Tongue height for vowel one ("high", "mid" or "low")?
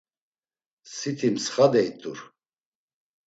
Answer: high